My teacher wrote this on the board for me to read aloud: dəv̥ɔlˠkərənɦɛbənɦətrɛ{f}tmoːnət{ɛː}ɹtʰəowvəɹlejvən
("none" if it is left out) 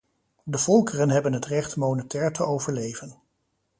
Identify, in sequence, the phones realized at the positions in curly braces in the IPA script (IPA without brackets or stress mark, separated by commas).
χ, ɛː